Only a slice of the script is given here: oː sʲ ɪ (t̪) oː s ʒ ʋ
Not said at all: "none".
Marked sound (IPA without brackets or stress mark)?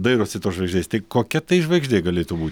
t̪